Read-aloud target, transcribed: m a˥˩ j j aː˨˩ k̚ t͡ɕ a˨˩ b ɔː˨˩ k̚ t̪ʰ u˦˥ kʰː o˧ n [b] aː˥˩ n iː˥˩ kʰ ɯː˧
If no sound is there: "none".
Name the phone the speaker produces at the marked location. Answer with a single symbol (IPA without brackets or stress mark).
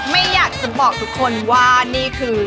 w